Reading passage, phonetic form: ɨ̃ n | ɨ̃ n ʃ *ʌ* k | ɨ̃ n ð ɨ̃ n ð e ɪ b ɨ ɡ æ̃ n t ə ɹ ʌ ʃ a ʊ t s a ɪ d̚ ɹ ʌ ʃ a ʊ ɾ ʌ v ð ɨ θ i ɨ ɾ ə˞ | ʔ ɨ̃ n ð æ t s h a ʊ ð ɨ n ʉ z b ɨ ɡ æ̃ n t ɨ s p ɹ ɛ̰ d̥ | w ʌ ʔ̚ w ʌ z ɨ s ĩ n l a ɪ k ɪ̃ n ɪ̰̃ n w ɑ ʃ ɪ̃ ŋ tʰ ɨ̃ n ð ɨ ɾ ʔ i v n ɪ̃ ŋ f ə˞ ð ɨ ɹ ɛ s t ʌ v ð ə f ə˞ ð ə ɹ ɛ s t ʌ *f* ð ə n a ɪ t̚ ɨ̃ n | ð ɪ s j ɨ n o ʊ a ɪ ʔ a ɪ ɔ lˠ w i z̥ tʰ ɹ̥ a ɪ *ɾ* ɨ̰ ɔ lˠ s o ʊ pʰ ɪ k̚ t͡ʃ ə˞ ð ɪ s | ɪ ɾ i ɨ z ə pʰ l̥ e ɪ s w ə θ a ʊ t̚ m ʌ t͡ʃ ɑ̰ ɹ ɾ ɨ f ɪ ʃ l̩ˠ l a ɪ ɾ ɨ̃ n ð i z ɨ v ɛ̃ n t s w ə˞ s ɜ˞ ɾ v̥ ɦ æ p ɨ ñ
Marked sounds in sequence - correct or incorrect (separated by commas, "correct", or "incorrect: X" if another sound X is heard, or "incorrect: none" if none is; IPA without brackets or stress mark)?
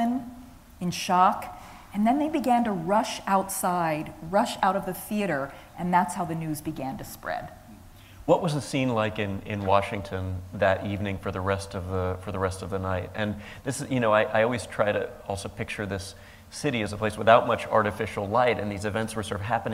incorrect: ɑ, incorrect: v, correct